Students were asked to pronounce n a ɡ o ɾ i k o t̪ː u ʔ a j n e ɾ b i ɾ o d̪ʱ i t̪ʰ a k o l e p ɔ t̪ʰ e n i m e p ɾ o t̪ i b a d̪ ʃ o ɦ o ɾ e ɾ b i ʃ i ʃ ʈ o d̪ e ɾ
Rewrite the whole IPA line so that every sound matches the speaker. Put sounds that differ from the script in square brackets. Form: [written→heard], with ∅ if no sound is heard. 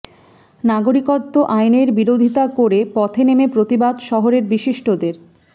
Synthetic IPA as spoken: n a ɡ o ɾ i k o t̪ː [u→o] ʔ a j n e ɾ b i ɾ o d̪ʱ i [t̪ʰ→t̪] a k o [l→ɾ] e p ɔ t̪ʰ e n [i→e] m e p ɾ o t̪ i b a d̪ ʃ [o→ɔ] ɦ o ɾ e ɾ b i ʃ i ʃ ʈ o d̪ e ɾ